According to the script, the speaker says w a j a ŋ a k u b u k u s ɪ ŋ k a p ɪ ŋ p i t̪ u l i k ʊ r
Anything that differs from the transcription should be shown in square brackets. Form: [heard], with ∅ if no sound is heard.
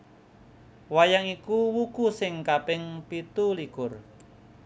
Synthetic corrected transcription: w a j a ŋ [i] k u [w] u k u s ɪ ŋ k a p ɪ ŋ p i t̪ u l i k ʊ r